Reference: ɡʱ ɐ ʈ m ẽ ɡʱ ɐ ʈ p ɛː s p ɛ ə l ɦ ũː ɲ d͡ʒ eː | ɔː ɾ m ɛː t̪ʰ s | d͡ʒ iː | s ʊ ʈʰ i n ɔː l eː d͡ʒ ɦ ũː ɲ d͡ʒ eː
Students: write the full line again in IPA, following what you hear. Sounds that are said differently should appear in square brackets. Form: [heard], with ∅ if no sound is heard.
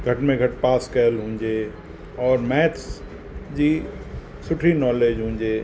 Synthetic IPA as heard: ɡʱ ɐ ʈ m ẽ ɡʱ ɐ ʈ p [aː] s [k] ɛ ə l ɦ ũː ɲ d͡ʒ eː | ɔː ɾ m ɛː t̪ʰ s | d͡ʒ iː | s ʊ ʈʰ i n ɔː l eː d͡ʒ ɦ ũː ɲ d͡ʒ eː